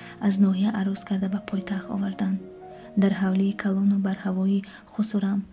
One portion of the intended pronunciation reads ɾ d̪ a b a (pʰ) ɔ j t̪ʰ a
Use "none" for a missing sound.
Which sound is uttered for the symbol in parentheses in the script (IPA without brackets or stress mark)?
pʰ